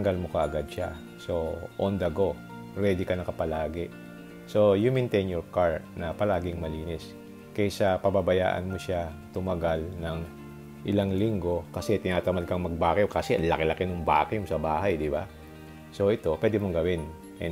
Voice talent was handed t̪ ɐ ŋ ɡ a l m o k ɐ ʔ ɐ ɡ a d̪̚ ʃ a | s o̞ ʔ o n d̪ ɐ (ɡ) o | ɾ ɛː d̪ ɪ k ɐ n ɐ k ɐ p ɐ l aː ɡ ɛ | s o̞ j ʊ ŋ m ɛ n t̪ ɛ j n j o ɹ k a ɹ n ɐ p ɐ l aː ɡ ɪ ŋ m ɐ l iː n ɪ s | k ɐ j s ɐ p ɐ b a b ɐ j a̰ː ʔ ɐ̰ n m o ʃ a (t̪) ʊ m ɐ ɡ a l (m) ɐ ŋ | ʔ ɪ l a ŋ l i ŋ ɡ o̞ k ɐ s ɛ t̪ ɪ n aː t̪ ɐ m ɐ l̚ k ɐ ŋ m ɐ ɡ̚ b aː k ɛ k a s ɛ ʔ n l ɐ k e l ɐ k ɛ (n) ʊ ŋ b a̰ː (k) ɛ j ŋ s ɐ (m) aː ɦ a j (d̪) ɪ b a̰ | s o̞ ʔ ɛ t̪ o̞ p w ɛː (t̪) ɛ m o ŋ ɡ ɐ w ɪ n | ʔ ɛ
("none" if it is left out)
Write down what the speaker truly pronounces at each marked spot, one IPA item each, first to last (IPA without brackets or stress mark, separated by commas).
ɡ, t̪, n, n, k, b, d̪, d̪